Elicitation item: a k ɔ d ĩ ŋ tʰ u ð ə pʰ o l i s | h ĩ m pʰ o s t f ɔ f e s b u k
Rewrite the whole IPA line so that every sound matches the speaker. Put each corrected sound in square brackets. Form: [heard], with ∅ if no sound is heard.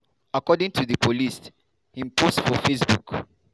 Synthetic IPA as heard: a k ɔ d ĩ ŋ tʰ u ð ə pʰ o l i s | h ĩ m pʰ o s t f ɔ f e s b u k